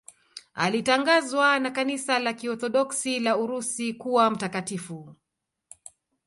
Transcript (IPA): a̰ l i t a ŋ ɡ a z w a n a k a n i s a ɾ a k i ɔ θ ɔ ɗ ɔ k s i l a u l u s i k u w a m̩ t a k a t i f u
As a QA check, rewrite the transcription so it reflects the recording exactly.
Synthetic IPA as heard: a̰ l i t a ŋ ɡ a z w a n a k a n i s a l a k i ɔ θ ɔ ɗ ɔ k s i l a u ɾ u s i k u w a m̩ t a k a t i f u